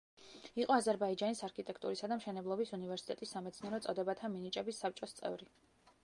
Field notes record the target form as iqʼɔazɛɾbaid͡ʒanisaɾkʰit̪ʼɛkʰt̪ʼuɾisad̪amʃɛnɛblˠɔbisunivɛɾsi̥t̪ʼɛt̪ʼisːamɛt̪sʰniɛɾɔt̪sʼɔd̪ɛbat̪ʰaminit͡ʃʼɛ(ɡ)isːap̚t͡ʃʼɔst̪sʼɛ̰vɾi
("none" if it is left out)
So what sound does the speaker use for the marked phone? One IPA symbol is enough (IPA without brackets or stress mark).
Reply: b